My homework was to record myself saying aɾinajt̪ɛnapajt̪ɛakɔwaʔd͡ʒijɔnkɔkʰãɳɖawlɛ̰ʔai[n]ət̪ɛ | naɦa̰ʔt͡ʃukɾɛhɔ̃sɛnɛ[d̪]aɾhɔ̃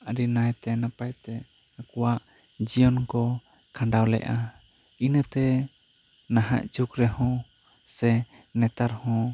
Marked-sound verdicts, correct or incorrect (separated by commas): correct, incorrect